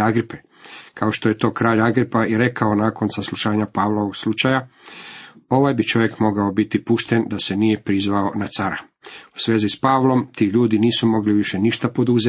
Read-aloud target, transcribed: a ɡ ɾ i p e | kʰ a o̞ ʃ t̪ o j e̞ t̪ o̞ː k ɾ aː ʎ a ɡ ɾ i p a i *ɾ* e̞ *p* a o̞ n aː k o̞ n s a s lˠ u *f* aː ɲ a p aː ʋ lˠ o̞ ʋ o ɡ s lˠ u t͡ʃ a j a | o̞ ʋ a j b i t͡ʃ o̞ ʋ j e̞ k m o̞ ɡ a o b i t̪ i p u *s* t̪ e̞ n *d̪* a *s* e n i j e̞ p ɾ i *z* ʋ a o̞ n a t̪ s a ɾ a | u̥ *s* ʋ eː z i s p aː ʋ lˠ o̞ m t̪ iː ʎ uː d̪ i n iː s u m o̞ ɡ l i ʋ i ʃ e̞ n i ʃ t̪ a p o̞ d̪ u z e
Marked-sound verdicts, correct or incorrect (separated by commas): correct, incorrect, incorrect, incorrect, correct, correct, correct, correct